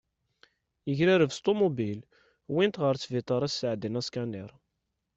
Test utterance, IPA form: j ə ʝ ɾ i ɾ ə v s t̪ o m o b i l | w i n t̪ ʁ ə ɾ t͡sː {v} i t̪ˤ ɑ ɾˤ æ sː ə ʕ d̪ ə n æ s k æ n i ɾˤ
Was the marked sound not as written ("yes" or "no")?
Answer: no